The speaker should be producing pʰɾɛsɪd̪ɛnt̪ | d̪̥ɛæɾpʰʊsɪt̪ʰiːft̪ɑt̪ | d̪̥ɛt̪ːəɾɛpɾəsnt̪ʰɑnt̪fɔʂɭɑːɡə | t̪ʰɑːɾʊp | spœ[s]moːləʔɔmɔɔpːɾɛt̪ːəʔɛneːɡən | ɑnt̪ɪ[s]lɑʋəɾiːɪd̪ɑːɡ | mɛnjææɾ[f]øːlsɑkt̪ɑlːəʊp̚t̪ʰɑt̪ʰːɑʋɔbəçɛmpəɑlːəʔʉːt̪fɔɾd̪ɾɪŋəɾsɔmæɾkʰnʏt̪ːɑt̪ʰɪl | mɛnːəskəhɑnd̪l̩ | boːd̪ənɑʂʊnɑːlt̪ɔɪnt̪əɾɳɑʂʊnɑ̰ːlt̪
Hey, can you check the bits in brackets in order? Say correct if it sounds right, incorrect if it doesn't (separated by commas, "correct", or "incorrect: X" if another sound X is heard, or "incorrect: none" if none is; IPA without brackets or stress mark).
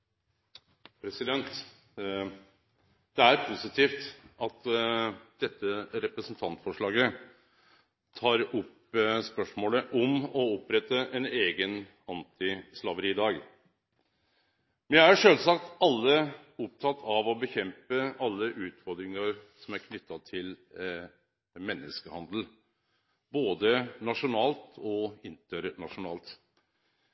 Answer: incorrect: ʂ, correct, incorrect: ʂ